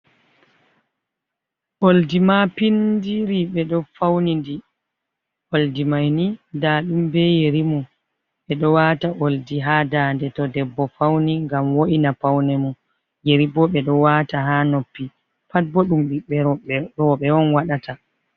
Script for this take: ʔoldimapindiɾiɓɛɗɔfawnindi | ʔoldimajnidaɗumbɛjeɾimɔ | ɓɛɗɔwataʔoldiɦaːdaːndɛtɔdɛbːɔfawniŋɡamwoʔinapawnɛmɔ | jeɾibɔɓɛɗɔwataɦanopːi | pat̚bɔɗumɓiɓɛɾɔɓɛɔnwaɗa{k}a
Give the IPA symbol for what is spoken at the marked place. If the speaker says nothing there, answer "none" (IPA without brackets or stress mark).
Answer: t